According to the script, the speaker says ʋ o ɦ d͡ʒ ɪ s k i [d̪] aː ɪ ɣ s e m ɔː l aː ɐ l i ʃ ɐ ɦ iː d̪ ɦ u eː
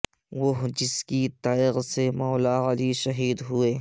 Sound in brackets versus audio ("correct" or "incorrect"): incorrect